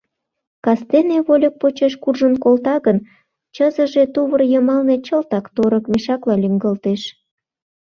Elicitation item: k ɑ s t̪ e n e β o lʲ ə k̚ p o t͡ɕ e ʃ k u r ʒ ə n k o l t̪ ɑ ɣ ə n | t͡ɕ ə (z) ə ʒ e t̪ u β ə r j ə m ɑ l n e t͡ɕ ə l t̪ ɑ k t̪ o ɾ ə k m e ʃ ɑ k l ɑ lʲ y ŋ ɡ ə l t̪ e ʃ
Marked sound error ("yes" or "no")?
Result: no